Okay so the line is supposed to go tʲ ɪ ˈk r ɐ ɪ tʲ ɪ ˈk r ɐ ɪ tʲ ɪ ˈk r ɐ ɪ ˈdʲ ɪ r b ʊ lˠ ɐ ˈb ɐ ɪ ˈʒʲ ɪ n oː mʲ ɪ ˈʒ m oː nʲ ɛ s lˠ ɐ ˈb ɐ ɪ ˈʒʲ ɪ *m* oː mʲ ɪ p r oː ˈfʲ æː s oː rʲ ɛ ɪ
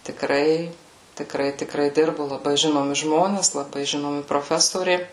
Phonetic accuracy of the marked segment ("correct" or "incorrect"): incorrect